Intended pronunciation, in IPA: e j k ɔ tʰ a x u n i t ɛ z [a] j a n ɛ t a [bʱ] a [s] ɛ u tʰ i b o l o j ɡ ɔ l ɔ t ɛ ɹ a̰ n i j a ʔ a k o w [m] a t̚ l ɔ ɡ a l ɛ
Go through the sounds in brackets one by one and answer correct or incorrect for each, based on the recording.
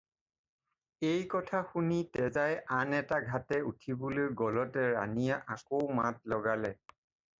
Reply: correct, incorrect, incorrect, correct

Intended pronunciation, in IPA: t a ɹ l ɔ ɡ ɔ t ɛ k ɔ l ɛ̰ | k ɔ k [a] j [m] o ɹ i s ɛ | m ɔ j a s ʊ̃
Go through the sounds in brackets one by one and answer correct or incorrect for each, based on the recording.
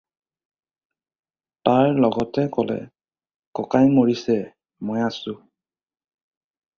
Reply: correct, correct

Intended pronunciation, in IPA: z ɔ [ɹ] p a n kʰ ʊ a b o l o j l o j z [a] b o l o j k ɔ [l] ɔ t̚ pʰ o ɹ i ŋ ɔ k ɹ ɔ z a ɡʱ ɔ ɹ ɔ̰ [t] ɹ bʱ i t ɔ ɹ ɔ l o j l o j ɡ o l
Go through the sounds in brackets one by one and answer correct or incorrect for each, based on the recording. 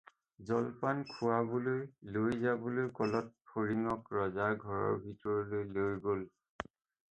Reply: incorrect, correct, correct, incorrect

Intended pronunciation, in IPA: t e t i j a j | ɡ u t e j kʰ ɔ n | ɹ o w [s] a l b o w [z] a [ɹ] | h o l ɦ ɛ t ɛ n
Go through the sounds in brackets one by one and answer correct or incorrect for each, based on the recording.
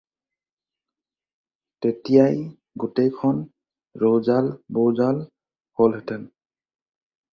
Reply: incorrect, correct, incorrect

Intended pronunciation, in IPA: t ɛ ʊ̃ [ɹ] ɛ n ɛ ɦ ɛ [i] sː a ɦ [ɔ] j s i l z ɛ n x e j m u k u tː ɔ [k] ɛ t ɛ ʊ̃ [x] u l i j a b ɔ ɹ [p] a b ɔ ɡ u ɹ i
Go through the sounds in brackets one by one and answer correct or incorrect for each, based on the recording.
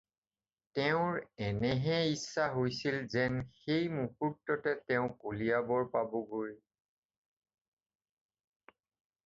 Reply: correct, correct, incorrect, incorrect, incorrect, correct

